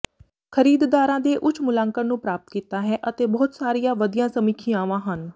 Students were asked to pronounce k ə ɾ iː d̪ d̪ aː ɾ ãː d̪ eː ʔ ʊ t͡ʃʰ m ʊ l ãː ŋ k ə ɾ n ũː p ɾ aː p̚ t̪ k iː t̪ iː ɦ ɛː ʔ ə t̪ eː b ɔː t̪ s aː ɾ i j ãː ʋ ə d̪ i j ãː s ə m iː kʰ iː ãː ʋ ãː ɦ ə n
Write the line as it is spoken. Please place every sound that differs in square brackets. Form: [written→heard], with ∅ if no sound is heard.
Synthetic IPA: [k→kʰ] ə ɾ iː d̪ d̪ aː ɾ ãː d̪ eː ʔ ʊ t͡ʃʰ m ʊ l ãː ŋ k ə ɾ n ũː p ɾ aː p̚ t̪ k iː t̪ [iː→aː] ɦ ɛː ʔ ə t̪ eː b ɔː t̪ s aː ɾ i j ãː ʋ ə d̪ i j ãː s ə m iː kʰ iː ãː ʋ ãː ɦ ə n